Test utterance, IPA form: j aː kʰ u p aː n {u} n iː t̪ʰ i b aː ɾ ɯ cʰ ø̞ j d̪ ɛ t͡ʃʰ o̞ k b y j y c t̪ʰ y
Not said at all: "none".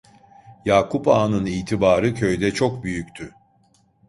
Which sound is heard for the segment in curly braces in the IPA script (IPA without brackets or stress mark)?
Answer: ɯ